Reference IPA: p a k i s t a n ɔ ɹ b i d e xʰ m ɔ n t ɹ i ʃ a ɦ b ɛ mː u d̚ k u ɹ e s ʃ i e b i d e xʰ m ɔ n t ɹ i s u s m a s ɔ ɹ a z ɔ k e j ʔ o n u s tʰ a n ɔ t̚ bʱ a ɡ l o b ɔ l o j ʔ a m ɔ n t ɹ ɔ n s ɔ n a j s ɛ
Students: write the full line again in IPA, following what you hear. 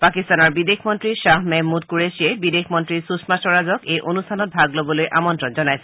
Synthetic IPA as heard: p a k i s t a n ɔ ɹ b i d e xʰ m ɔ n t ɹ i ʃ a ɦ m ɛ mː u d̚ k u ɹ e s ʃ i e b i d e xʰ m ɔ n t ɹ i s u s m a s ɔ ɹ a z ɔ k e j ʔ o n u s tʰ a n ɔ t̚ bʱ a ɡ l o b ɔ l o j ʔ a m ɔ n t ɹ ɔ n z ɔ n a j s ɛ